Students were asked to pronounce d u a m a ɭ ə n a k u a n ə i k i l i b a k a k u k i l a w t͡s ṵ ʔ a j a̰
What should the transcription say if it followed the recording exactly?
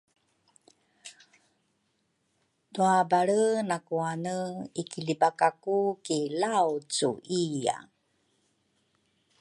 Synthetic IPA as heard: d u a b a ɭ ə n a k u a n ə i k i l i b a k a k u k i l a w t͡s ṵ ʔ i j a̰